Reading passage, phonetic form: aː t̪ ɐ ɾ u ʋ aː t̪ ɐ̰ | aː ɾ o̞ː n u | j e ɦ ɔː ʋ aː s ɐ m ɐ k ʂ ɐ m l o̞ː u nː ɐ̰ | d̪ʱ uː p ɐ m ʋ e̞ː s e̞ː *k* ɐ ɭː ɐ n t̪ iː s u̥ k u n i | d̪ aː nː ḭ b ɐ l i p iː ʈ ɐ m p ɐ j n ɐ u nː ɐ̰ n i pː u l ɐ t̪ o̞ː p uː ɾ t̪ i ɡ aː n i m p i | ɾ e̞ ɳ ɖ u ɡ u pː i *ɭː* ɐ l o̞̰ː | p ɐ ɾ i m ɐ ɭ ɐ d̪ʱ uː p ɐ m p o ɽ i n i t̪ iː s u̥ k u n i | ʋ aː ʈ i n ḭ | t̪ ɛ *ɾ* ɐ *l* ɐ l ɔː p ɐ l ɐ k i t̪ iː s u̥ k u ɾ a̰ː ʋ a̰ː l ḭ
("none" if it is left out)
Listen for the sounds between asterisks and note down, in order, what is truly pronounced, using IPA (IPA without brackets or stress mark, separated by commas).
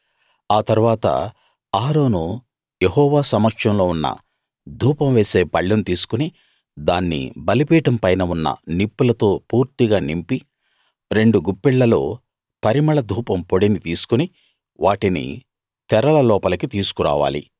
p, ɭː, ɾ, l